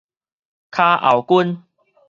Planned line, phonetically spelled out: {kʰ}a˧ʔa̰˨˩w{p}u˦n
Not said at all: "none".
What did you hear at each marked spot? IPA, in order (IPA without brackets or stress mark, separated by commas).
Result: kʰ, k